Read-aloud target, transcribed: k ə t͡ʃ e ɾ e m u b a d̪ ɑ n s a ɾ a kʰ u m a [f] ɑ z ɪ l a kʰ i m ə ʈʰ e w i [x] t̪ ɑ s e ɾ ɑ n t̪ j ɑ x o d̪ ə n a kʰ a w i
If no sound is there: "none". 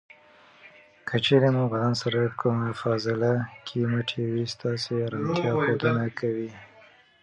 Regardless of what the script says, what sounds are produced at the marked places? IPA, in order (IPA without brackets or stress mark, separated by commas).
f, s